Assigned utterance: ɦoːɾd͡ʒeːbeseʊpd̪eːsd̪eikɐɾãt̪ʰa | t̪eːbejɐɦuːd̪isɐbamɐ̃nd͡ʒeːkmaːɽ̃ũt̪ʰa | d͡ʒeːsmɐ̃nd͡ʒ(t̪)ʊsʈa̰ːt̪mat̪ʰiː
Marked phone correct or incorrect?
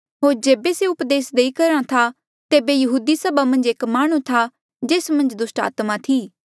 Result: incorrect